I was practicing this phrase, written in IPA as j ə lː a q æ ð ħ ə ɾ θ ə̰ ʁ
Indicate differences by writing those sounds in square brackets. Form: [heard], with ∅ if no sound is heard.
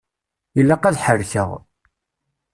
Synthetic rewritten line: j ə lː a q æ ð ħ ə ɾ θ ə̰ ʁ